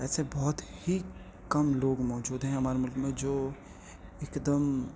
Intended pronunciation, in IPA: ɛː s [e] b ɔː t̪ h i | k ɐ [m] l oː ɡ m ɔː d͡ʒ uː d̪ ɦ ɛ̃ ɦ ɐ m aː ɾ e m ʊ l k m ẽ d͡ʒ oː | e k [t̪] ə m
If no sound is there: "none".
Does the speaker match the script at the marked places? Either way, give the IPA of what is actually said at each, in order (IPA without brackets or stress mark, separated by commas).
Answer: e, m, d̪